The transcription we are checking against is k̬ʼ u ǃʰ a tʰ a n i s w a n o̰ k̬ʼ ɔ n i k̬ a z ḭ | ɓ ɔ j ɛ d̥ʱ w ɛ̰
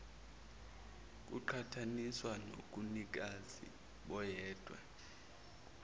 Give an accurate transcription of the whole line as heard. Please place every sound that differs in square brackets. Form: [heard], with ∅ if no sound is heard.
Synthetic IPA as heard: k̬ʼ u ǃʰ a tʰ a n i s w a n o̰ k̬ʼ [u] n i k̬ a z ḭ | ɓ ɔ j [ɛː] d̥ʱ w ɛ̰